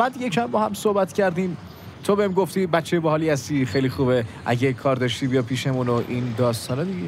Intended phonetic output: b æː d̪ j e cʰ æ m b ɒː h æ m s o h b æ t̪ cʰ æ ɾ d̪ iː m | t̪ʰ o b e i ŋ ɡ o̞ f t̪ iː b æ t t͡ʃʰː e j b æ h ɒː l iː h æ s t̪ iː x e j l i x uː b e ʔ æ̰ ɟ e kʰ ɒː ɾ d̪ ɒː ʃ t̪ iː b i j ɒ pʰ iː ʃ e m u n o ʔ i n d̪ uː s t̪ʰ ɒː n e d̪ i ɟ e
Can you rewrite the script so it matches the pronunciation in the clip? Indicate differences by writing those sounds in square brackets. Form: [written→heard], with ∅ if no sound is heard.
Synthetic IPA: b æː d̪ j e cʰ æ m b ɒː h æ m s o h b æ t̪ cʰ æ ɾ d̪ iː m | t̪ʰ o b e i [ŋ→m] ɡ o̞ f t̪ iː b æ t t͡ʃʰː e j b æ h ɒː l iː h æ s t̪ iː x e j l i x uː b e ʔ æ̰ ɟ e kʰ ɒː ɾ d̪ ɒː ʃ t̪ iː b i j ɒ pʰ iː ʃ e m u n o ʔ i n d̪ [uː→ɒː] s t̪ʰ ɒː n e d̪ i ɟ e